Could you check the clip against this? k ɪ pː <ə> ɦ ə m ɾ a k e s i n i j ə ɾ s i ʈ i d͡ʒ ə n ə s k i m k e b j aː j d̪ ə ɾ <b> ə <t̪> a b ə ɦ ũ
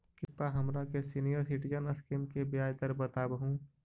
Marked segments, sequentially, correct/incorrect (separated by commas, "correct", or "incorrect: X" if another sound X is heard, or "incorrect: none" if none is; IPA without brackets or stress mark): incorrect: a, correct, correct